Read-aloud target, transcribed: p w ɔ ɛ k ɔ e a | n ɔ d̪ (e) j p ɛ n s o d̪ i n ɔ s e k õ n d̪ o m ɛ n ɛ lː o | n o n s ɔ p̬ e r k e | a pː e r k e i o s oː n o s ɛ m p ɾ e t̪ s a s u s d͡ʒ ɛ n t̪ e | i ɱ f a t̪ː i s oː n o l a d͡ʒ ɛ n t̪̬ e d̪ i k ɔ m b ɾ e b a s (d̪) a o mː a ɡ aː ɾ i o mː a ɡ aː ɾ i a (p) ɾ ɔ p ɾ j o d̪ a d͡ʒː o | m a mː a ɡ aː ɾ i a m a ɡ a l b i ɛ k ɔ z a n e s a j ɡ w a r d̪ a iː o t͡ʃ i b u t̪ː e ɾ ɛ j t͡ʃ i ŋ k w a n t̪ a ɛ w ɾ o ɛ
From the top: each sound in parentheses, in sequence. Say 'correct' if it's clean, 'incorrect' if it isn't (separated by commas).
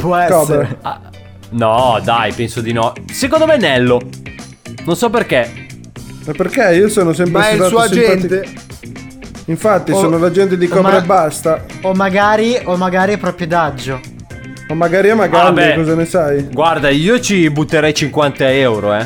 incorrect, incorrect, correct